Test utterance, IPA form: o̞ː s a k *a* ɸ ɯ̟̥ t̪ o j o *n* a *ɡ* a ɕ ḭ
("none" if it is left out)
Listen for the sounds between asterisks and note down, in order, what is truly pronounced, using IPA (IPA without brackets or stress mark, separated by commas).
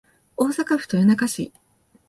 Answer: a, n, k